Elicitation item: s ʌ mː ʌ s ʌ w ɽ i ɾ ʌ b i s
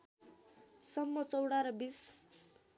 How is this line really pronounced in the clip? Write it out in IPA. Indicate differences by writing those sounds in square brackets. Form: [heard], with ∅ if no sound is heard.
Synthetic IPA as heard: s ʌ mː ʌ [t͡s] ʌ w ɽ [a] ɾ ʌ b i s